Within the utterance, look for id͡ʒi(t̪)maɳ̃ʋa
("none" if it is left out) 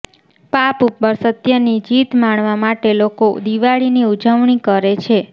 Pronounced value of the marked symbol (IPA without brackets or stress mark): t̪